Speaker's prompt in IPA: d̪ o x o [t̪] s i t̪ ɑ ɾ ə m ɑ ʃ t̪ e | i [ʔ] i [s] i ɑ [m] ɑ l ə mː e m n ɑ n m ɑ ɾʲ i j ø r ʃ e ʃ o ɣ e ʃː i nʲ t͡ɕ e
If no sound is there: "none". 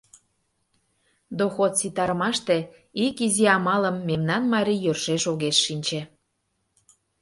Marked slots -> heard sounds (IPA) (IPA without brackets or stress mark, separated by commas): t̪, k, z, m